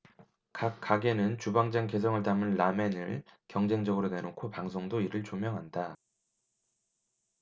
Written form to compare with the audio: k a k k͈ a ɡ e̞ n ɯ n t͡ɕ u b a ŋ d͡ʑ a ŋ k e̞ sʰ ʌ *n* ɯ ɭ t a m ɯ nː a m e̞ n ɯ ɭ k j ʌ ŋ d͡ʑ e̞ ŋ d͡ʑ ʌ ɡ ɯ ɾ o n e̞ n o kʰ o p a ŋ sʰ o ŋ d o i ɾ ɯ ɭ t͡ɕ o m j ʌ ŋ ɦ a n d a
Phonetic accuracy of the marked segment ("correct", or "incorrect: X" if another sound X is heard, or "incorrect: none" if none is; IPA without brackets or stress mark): incorrect: ŋ